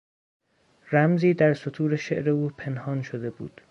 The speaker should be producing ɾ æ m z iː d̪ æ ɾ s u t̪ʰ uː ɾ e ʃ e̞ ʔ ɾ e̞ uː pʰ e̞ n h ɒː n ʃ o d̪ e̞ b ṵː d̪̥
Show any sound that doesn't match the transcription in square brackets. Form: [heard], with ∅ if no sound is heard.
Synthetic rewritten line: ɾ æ m z iː d̪ æ ɾ s [o] t̪ʰ uː ɾ e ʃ e̞ ʔ ɾ e̞ uː pʰ e̞ n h ɒː n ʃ o d̪ e̞ b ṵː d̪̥